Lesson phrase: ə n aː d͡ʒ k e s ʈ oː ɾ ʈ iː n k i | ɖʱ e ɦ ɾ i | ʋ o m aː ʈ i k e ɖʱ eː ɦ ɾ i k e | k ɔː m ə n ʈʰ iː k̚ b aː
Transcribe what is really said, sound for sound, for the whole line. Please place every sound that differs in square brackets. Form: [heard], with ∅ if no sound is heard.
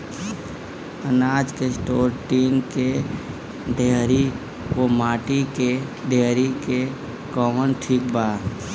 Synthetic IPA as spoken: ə n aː d͡ʒ k e s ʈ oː ɾ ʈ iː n k [e] | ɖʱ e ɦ ɾ i | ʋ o m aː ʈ i k e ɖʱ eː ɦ ɾ i k e | k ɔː m ə n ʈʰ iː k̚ b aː